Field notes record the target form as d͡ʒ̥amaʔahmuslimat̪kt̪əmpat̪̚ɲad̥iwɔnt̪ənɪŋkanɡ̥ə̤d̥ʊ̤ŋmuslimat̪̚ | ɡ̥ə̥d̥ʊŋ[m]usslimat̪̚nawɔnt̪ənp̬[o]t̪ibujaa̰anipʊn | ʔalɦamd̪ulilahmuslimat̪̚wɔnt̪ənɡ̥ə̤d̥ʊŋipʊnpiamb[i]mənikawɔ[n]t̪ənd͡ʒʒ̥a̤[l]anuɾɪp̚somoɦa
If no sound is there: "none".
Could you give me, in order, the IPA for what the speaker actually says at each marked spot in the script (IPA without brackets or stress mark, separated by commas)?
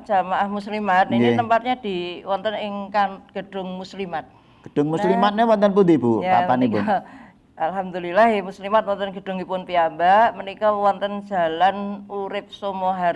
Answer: m, u, a, n, l